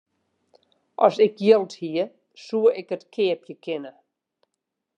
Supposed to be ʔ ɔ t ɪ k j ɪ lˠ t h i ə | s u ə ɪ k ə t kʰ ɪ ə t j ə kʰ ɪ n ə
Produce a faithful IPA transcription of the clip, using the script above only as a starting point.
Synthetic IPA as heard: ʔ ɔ s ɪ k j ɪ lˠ t h i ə | s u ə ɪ k ə t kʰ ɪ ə p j ə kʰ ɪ n ə